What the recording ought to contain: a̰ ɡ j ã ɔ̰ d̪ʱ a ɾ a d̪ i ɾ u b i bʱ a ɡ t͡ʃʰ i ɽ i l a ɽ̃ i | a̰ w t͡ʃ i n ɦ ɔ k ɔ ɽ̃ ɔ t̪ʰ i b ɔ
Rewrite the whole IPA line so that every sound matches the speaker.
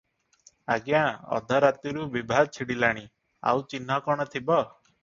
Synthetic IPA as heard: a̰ ɡ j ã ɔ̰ d̪ʱ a ɾ a t̪ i ɾ u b i bʱ a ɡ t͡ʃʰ i ɽ i l a ɽ̃ i | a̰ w t͡ʃ i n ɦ ɔ k ɔ ɽ̃ ɔ t̪ʰ i b ɔ